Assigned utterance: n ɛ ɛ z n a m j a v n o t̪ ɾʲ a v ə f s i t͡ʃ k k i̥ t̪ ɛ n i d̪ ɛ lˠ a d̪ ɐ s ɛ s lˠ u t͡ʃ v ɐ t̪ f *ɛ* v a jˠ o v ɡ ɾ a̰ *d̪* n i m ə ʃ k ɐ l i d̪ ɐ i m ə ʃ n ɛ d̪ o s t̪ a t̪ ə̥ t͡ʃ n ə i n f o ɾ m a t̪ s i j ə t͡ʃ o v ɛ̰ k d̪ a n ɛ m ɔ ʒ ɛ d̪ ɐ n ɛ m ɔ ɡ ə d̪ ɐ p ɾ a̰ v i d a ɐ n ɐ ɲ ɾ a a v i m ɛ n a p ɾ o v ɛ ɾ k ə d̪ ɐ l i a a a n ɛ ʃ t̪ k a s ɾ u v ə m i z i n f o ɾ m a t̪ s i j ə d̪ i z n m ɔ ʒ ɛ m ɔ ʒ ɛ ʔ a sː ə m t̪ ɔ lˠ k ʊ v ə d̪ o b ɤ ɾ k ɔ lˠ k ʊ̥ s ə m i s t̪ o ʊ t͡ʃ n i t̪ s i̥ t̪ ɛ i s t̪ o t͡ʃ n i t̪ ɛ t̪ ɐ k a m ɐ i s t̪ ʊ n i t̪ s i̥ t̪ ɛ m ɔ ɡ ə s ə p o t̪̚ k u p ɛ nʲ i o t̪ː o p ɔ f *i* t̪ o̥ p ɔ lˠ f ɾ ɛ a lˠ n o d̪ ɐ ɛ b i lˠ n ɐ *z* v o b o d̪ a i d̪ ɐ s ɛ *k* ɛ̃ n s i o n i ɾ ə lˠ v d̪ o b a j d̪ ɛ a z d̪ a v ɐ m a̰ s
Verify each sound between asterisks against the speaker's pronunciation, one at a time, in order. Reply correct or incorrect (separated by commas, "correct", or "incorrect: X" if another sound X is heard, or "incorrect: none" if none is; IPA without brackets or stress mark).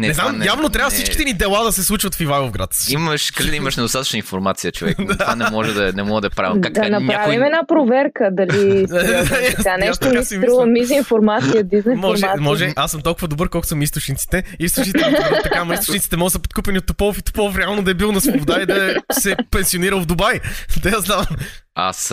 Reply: incorrect: i, incorrect: t̪, correct, incorrect: s, incorrect: p